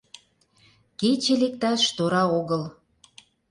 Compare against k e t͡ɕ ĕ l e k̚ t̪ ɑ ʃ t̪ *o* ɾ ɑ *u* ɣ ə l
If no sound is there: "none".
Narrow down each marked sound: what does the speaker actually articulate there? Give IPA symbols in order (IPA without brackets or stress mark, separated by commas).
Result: o, o